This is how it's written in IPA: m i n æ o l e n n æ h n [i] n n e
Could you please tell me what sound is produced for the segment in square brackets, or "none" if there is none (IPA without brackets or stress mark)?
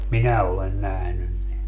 y